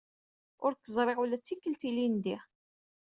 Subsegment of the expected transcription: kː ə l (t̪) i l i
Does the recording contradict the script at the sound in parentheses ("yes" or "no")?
no